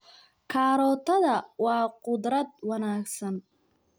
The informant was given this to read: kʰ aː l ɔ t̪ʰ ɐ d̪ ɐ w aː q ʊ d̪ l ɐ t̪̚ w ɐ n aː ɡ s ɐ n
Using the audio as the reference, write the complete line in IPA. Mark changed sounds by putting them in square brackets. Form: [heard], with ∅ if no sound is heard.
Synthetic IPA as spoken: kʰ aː [ɾ] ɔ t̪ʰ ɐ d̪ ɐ w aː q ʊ d̪ [ɾ] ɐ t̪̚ w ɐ n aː [k] s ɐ n